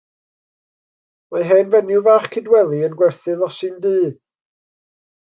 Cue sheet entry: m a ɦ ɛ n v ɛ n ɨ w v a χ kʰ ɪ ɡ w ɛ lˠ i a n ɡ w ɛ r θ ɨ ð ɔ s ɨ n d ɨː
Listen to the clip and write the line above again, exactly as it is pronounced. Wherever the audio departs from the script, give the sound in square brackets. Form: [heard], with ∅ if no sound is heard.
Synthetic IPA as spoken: m a ɦ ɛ n v ɛ n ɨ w v a χ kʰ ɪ [d] w ɛ lˠ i [ə] n ɡ w ɛ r θ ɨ ð ɔ s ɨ n d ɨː